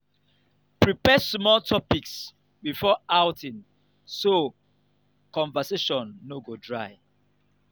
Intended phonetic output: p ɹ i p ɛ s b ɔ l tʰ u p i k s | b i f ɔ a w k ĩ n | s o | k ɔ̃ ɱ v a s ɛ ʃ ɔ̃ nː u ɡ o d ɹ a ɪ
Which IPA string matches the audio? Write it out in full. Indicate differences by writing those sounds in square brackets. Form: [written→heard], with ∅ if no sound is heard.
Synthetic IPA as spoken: p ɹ i p ɛ s [b→m] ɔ l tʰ [u→ɔ] p i k s | b i f ɔ a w [k→t] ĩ n | s o | k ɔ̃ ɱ v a s [ɛ→e] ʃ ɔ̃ nː [u→o] ɡ o d ɹ a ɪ